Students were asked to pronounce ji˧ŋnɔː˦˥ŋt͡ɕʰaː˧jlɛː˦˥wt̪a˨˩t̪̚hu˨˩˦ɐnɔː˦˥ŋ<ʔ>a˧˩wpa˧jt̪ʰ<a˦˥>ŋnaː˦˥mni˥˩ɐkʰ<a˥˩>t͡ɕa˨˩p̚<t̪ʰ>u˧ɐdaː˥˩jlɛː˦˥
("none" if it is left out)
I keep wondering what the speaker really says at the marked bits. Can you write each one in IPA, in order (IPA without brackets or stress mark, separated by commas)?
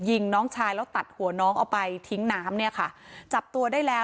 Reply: ʔ, i˦˥, a˥˩, t̪